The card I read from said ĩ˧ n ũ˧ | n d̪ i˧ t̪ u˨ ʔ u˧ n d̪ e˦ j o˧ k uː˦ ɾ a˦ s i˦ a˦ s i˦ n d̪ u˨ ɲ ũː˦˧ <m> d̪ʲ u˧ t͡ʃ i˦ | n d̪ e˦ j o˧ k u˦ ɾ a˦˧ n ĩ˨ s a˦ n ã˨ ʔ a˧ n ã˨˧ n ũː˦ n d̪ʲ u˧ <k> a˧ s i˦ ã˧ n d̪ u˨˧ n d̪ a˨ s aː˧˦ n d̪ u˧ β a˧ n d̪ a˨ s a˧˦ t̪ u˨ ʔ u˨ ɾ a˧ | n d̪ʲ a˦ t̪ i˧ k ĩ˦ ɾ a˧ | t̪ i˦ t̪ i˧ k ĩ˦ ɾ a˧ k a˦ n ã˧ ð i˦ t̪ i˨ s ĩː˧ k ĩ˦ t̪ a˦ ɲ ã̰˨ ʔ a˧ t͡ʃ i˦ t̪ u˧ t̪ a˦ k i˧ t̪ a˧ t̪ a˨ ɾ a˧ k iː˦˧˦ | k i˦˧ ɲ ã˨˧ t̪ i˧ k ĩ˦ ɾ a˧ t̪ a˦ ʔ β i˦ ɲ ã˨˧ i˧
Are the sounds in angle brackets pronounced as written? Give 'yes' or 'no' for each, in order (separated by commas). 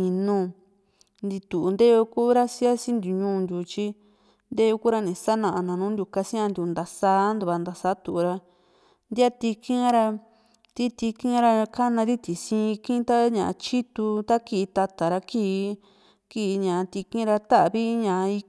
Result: no, yes